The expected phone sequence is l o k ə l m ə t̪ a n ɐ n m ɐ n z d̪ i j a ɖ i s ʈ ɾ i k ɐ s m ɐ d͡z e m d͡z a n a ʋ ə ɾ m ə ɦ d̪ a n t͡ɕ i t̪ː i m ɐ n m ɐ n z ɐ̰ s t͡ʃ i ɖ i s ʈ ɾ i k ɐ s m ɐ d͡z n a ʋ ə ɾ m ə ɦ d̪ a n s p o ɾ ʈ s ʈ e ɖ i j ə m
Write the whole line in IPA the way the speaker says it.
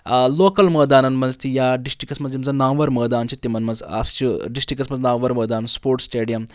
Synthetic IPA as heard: l o k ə l m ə d̪ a n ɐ n m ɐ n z t̪ i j a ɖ i s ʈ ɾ i k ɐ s m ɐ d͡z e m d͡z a n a ʋ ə ɾ m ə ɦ d̪ a n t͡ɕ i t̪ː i m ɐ n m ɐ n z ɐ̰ s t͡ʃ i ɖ i s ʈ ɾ i k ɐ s m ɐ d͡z n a ʋ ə ɾ m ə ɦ d̪ a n s p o ɾ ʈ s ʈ e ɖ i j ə m